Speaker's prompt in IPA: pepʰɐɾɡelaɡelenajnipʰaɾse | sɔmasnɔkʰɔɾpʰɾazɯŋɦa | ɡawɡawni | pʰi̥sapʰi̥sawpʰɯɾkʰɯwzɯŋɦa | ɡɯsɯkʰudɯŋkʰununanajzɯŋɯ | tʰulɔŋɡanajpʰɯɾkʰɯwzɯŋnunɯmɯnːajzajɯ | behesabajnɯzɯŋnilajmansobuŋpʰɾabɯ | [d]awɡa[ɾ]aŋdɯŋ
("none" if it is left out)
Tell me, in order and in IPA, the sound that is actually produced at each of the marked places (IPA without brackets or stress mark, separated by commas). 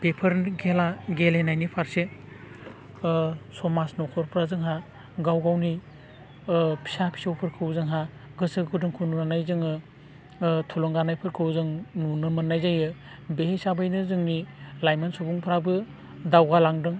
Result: d, l